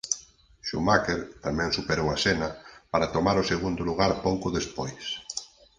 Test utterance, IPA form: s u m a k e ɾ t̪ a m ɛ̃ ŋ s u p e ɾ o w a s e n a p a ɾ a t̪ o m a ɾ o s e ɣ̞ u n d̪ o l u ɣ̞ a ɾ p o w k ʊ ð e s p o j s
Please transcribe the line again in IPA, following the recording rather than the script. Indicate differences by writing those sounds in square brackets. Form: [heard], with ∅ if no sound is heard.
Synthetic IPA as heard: [ʃ] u m a k e ɾ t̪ a m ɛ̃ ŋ s u p e ɾ o w a s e n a p a ɾ a t̪ o m a ɾ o s e ɣ̞ u n d̪ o l u ɣ̞ a ɾ p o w k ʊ ð e s p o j s